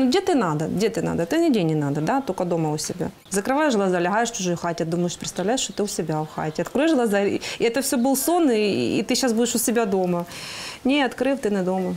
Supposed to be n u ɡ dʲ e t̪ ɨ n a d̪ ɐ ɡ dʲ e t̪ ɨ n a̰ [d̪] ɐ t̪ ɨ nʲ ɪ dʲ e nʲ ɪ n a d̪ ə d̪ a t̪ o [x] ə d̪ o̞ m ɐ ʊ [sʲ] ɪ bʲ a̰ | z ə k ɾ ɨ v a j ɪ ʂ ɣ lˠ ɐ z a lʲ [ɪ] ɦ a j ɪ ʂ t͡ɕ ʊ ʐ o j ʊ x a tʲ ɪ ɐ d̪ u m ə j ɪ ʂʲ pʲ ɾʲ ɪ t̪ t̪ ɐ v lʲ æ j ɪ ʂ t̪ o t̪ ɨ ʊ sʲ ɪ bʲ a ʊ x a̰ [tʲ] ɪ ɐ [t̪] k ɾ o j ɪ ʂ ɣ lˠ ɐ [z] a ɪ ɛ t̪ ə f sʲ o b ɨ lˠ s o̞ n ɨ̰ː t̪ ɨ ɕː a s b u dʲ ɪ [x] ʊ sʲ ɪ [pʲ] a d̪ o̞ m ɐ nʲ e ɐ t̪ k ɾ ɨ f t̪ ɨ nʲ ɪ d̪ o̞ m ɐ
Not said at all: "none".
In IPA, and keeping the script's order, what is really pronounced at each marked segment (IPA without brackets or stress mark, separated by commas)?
d̪, k, sʲ, ɪ, tʲ, t̪, z, ʂ, bʲ